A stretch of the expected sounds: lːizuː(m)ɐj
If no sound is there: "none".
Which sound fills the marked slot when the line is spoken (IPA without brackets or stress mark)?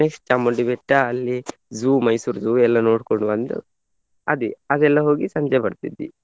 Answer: m